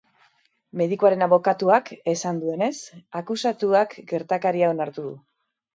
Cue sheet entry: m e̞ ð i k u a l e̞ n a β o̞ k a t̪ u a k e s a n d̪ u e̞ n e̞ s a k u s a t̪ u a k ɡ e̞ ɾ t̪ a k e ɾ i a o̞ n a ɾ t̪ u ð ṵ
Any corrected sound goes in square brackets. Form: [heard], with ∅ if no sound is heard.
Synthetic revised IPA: m e̞ ð i k u a [ɾ] e̞ n a β o̞ k a t̪ u a k e s a n d̪ u e̞ n e̞ s a k u s a t̪ u a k ɡ e̞ ɾ t̪ a k [a] ɾ i a o̞ n a ɾ t̪ u ð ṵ